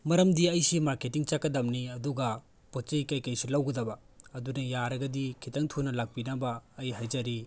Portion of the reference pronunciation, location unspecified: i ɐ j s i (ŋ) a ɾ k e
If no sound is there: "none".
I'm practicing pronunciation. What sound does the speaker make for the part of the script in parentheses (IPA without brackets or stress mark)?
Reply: m